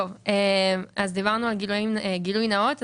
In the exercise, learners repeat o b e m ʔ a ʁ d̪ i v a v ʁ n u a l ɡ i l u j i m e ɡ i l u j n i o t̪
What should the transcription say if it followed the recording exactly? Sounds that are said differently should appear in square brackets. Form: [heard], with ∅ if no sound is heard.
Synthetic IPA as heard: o [v] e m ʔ a [z] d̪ i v a [∅] ʁ n u a l ɡ i l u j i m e ɡ i l u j n [a] o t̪